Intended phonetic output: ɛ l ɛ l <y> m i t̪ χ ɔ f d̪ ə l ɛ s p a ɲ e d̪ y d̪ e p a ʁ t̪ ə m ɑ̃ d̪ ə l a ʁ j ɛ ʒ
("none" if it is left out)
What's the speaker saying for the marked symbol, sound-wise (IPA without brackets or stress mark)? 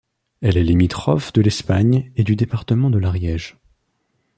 i